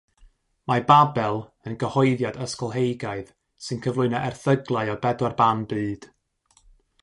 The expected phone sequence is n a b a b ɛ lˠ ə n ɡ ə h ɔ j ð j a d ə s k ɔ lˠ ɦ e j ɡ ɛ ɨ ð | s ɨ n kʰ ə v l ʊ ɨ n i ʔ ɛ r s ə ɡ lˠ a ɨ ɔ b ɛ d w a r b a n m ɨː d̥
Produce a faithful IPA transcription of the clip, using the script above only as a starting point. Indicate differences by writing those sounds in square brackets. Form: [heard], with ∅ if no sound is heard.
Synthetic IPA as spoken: [m] a b a b ɛ lˠ ə n ɡ ə h ɔ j ð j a d ə s k ɔ lˠ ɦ e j ɡ [a] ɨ ð | s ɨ n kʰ ə v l ʊ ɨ n [a] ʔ ɛ r [θ] ə ɡ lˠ a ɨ ɔ b ɛ d w a r b a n [b] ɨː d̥